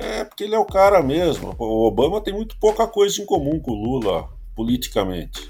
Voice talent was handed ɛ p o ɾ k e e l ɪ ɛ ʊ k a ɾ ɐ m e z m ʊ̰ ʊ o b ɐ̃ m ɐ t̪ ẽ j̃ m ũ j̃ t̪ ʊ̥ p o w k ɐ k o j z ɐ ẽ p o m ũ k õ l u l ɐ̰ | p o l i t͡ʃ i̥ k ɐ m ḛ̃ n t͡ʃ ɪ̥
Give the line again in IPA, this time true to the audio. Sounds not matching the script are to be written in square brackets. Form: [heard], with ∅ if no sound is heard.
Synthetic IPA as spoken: ɛ p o ɾ k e e l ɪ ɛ ʊ k a ɾ ɐ m e z m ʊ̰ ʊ o b ɐ̃ m ɐ t̪ ẽ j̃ m ũ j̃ t̪ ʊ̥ p o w k ɐ k o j z ɐ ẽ [k] o m ũ k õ l u l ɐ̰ | p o l i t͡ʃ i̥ k ɐ m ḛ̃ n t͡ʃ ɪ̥